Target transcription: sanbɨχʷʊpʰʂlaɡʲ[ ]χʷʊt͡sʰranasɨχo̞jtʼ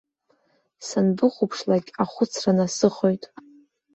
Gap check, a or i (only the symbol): a